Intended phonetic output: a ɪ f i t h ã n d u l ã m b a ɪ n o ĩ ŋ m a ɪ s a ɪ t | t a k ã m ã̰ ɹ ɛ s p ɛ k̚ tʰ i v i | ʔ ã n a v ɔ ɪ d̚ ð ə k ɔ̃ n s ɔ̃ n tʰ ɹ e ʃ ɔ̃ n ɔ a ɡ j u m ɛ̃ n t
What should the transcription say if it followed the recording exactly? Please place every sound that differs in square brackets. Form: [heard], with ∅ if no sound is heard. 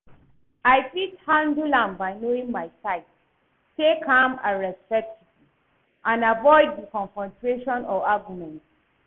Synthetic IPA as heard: a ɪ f i t h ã n d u l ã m b a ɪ n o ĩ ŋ m a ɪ s a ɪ t | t [e] k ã m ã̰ ɹ ɛ s p ɛ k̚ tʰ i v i | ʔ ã n a v ɔ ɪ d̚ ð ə k ɔ̃ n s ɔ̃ n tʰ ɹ e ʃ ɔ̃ n ɔ a ɡ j u m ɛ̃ n t